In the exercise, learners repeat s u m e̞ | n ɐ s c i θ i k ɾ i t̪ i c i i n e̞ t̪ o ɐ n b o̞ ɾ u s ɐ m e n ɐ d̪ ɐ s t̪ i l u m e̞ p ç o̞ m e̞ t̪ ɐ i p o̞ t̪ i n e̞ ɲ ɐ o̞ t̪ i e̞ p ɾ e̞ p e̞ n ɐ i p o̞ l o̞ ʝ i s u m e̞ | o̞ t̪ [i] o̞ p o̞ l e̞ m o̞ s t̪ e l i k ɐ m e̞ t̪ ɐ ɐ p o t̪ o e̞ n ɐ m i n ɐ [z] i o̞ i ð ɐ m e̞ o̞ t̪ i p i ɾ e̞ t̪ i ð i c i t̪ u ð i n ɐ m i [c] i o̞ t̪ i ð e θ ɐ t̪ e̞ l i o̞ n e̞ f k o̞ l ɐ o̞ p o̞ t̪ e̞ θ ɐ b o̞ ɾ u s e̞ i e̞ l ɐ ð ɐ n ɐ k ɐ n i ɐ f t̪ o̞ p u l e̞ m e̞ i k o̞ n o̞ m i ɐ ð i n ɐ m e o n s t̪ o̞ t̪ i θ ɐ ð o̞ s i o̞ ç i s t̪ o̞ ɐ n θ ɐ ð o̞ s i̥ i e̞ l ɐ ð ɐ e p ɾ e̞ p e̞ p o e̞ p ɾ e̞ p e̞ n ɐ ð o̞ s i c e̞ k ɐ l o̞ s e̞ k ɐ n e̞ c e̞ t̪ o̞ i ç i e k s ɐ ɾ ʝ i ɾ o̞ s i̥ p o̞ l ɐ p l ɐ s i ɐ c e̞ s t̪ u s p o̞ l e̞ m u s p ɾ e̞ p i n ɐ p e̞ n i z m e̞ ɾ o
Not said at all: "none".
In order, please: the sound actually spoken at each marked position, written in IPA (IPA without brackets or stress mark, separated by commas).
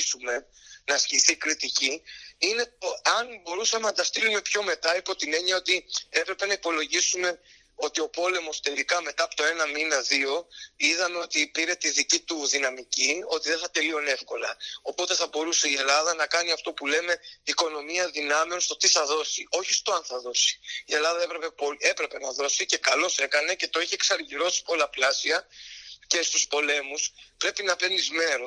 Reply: i, ð, c